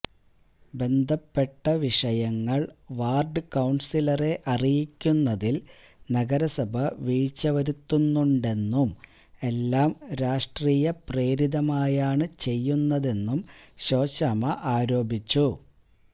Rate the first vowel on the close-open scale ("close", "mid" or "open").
mid